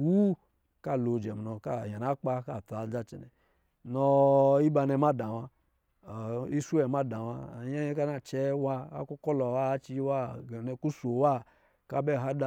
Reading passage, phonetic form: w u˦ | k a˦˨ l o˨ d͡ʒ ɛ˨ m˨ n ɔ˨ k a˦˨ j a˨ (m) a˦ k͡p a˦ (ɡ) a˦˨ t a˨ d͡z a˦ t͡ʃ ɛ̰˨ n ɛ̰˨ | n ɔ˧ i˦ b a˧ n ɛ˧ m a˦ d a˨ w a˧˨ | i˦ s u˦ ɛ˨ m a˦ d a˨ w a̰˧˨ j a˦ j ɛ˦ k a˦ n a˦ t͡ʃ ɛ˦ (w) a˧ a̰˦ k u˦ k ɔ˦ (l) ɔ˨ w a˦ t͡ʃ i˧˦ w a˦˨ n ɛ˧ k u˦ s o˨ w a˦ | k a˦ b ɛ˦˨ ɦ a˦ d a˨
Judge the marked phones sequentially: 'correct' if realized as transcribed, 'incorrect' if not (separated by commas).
incorrect, incorrect, correct, correct